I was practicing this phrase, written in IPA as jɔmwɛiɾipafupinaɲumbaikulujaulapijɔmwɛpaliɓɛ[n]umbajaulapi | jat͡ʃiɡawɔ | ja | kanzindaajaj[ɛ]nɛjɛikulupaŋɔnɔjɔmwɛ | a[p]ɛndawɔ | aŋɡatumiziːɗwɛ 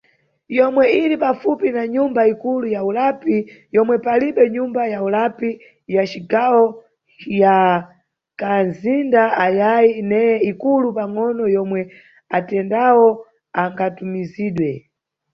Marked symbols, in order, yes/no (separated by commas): no, no, no